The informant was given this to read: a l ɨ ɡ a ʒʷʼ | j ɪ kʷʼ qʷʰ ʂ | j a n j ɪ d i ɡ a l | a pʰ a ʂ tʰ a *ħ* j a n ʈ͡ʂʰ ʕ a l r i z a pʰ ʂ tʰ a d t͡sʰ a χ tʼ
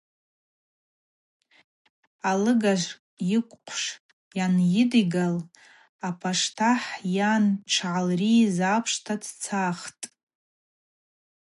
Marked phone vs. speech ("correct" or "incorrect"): correct